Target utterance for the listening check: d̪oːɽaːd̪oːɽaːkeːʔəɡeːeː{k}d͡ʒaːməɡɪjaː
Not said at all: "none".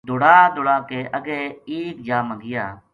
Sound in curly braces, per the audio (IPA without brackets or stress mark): k